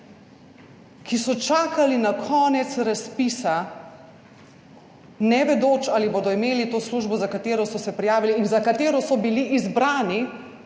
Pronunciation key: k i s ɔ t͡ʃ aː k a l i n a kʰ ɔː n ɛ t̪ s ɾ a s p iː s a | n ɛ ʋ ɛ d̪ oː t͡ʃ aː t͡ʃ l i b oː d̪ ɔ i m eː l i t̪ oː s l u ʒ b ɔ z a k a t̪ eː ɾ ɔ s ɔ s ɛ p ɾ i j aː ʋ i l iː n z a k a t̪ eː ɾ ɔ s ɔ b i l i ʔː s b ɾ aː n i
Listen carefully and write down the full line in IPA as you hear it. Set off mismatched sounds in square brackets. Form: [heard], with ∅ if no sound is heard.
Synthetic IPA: k i s ɔ t͡ʃ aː k a l i n a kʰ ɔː n ɛ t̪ s ɾ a s p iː s a | n ɛ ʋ ɛ d̪ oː t͡ʃ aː [∅] l i b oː d̪ ɔ i m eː l i t̪ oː s l u ʒ b ɔ z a k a t̪ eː ɾ ɔ s ɔ s ɛ p ɾ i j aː ʋ i l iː n z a k a t̪ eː ɾ ɔ s ɔ b i l i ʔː [z] b ɾ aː n i